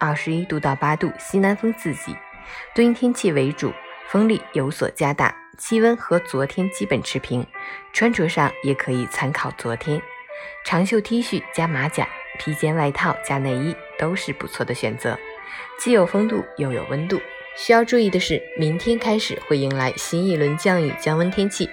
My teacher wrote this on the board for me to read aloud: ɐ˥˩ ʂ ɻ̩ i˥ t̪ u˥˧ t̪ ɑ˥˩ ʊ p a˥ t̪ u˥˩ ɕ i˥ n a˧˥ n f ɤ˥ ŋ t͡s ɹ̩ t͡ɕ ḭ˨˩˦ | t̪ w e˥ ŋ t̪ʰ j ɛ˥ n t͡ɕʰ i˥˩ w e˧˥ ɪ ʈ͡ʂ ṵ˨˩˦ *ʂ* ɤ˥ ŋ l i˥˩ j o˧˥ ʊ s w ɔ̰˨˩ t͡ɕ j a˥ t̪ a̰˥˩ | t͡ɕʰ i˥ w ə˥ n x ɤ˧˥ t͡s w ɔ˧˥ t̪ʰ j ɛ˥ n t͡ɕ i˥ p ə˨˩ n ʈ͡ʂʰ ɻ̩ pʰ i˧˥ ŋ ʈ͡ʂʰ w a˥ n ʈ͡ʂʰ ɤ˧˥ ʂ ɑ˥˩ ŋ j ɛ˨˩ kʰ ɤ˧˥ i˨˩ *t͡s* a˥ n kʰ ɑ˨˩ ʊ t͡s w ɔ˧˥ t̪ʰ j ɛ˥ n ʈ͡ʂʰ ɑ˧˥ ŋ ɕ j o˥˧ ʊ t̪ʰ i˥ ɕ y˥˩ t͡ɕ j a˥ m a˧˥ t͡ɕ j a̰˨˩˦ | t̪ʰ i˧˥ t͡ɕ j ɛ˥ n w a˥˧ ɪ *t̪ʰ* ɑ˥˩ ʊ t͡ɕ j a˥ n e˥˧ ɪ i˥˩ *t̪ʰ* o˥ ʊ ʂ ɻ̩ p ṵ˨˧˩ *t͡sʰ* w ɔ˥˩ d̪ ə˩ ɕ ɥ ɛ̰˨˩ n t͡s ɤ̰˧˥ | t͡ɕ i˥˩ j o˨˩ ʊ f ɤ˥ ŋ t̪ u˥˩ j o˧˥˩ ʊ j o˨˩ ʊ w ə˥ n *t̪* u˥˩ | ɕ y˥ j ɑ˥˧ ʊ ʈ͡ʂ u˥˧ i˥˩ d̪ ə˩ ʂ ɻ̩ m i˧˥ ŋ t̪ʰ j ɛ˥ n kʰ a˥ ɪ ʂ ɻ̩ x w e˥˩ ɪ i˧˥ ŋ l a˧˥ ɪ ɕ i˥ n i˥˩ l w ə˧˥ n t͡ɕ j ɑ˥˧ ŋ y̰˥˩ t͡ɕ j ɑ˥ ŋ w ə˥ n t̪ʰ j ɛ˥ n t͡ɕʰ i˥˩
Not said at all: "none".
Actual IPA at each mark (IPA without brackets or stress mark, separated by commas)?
f, t͡sʰ, t̪ʰ, t̪, t͡sʰ, t̪